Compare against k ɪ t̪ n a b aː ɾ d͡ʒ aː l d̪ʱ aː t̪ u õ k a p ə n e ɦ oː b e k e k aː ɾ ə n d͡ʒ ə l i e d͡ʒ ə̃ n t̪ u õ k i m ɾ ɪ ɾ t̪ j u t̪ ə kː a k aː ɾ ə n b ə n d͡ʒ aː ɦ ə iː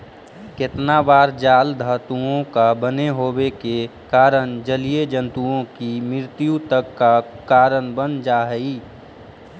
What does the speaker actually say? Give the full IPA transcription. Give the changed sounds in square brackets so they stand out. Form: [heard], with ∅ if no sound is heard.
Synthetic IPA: k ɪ t̪ n a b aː ɾ d͡ʒ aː l d̪ʱ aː t̪ u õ k a [b] ə n e ɦ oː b e k e k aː ɾ ə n d͡ʒ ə l i e d͡ʒ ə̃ n t̪ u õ k i m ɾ ɪ ɾ t̪ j u t̪ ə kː a k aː ɾ ə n b ə n d͡ʒ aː ɦ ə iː